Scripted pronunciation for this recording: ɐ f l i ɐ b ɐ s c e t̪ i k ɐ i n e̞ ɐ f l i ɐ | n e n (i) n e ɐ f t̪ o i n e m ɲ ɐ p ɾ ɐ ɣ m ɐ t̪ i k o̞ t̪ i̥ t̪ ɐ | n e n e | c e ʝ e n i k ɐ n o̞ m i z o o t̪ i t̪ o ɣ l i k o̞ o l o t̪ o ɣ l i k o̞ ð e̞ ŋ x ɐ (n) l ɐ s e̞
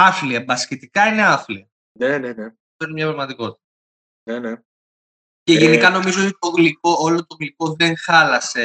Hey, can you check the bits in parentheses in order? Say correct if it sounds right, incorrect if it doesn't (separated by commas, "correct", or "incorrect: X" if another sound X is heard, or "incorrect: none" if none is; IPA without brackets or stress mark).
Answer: incorrect: e, incorrect: none